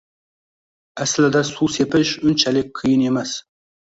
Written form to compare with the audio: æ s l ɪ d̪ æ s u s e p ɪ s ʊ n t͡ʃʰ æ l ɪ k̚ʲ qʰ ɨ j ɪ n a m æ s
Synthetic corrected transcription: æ s l ɪ d̪ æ s u s e p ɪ ʃ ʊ n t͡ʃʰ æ l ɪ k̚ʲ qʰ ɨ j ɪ n e m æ s

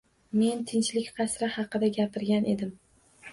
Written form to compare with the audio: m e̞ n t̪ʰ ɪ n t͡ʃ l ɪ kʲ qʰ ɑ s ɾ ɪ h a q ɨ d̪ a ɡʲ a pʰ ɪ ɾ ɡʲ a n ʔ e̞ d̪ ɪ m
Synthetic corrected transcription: m e̞ n t̪ʰ ɪ n t͡ʃ l ɪ kʲ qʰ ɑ s ɾ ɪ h ɑ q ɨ d̪ a ɡʲ a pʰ ɪ ɾ ɡʲ a n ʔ e̞ d̪ ɪ m

